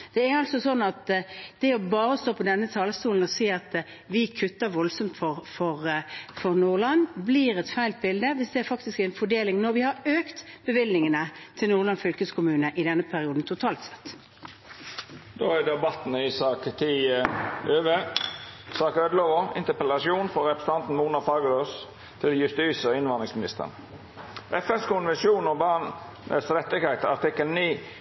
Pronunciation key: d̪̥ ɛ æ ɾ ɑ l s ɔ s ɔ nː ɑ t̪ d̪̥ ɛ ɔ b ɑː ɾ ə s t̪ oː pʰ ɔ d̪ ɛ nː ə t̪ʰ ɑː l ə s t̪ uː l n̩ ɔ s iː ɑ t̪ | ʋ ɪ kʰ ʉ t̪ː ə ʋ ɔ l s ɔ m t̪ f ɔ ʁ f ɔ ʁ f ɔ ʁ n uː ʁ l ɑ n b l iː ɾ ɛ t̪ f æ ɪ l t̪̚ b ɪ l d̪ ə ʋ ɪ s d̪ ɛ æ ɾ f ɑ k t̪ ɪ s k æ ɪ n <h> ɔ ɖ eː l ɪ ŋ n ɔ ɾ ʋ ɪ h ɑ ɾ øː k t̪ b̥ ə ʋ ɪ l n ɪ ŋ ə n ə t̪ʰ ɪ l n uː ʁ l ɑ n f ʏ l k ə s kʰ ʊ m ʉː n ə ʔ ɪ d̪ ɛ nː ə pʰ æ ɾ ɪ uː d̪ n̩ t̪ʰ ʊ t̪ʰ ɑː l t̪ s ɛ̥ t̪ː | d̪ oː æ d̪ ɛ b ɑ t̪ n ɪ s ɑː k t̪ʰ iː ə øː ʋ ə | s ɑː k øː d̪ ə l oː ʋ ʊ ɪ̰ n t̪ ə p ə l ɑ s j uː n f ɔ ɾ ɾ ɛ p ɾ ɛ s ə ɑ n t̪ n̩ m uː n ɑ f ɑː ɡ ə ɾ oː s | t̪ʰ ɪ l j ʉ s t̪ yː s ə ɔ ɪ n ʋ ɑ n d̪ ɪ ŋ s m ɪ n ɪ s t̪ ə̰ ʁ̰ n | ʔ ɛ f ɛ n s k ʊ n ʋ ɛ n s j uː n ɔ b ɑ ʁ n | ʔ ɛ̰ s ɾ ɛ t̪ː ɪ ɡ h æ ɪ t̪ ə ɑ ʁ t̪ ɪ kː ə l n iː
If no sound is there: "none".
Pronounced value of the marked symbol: f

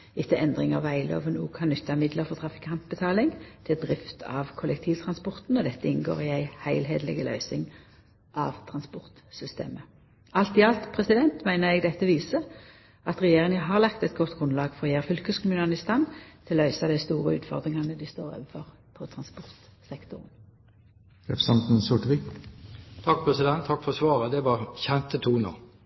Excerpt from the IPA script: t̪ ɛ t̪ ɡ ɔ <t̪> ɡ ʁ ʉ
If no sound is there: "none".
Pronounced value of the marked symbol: t̪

